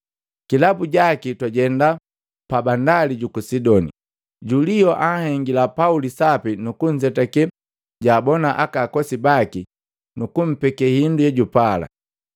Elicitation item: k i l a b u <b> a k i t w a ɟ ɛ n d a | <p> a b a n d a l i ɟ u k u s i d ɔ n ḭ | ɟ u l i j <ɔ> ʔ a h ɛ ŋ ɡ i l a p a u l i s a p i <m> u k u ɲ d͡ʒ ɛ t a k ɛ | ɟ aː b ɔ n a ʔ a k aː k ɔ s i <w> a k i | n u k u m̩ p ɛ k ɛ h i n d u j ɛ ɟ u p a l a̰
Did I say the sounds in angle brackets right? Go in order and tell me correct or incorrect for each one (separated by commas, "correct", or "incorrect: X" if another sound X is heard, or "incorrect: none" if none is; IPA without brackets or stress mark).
incorrect: ɟ, correct, correct, incorrect: n, incorrect: b